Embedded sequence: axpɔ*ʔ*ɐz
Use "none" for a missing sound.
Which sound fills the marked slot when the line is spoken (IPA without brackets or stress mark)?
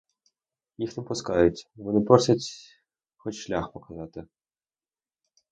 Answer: k